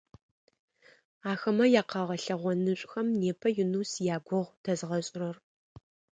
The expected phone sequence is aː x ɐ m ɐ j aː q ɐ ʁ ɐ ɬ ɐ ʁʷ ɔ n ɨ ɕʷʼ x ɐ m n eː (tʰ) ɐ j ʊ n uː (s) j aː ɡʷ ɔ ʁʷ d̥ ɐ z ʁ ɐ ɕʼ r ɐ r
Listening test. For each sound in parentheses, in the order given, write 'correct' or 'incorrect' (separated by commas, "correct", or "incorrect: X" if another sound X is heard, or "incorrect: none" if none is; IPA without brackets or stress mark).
incorrect: pʰ, correct